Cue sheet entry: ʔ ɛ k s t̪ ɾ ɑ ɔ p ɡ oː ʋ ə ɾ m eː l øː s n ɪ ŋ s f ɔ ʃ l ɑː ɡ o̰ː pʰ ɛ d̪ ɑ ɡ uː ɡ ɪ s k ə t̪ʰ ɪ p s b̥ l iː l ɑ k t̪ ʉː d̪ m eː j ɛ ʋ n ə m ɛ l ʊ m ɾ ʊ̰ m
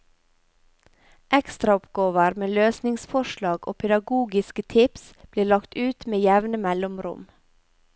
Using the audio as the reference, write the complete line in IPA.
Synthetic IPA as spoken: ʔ ɛ k s t̪ ɾ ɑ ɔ p ɡ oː ʋ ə ɾ m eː l øː s n ɪ ŋ s f ɔ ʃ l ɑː ɡ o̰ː pʰ ɛ d̪ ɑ ɡ uː ɡ ɪ s k ə t̪ʰ ɪ p s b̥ l iː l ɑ k t̪ ʉː t̪ m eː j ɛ ʋ n ə m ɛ l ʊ m ɾ ʊ̰ m

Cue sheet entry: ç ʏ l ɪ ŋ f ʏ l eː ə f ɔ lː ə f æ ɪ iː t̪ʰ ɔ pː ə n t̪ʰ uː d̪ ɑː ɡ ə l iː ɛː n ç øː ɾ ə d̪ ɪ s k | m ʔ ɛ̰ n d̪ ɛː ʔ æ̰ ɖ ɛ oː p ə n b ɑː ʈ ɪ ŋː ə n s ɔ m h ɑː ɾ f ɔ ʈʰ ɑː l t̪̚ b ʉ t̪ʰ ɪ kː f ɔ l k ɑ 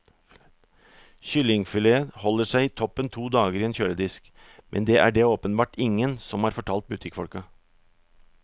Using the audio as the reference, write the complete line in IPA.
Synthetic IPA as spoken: ç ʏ l ɪ ŋ f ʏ l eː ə h ɔ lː ə ʂ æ ɪ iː t̪ʰ ɔ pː ə n t̪ʰ uː d̪ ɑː ɡ ə ɾ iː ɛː n ç øː ɾ ə d̪ ɪ s k | m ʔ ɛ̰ n d̪ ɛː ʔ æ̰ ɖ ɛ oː p ə n b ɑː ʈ ɪ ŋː ə n s ɔ m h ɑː ɾ f ɔ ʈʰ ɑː l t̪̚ b ʉ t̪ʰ ɪ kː f ɔ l k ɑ

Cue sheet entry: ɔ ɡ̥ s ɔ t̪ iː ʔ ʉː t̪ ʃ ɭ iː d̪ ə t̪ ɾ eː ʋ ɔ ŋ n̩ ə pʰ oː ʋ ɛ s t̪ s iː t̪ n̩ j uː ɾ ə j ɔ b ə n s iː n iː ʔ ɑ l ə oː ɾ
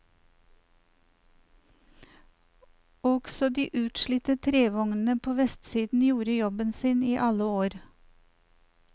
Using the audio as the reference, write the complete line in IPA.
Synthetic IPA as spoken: ɔ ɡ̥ s ɔ d̪ iː ʔ ʉː t̪ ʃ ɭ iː t̪ ə t̪ʰ ɾ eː ʋ ɔ ŋ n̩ ə pʰ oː ʋ ɛ s t̪ s iː d̪ n̩ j uː ɾ ə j ɔ b ə n s iː n iː ʔ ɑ l ə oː ɾ

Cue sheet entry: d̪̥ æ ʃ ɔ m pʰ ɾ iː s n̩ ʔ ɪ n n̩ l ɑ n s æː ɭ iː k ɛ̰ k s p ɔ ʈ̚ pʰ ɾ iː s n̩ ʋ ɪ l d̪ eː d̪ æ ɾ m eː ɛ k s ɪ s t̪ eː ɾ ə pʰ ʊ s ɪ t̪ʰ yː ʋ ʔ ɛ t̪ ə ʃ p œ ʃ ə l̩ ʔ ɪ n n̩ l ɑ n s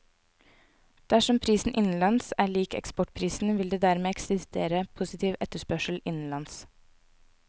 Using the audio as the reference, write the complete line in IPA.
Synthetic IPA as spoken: d̪̥ æ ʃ ɔ m pʰ ɾ iː s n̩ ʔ ɪ n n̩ l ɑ n s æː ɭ iː k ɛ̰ k s p ɔ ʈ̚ pʰ ɾ iː s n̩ ʋ ɪ l d̪ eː d̪ æ ɾ m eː ɛ k s ɪ s t̪ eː ɾ ə pʰ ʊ s ɪ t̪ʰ iː ʋ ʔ ɛ t̪ ə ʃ p œ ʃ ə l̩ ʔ ɪ n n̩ l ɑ n s

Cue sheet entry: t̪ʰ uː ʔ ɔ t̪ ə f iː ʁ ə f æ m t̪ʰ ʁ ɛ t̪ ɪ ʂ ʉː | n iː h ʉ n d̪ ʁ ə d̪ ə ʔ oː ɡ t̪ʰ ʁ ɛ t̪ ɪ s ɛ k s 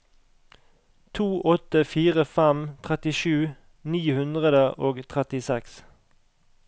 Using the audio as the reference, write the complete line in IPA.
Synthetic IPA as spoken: t̪ʰ uː ʔ ɔ t̪ ə f iː ʁ ə f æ m t̪ʰ ʁ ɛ t̪ ɪ ʃ ʉː | n iː h ʉ n d̪ ʁ ə d̪ ə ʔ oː ɡ t̪ʰ ʁ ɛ t̪ ɪ s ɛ k s

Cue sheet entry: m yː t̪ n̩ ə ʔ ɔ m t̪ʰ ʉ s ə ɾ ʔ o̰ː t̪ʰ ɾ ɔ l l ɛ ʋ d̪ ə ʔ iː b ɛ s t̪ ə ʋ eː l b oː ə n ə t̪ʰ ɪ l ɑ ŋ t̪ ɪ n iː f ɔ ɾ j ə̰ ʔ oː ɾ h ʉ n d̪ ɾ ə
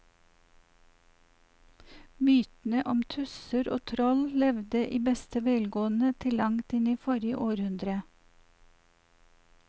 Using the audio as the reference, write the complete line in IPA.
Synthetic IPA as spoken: m yː t̪ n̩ ə ʔ ɔ m t̪ʰ ʉ s ə ɾ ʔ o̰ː t̪ʰ ɾ ɔ l l ɛ ʋ d̪ ə ʔ iː b ɛ s t̪ ə ʋ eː l ɡ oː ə n ə t̪ʰ ɪ l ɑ ŋ t̪ ɪ n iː f ɔ ɾ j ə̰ ʔ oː ɾ h ʉ n d̪ ɾ ə

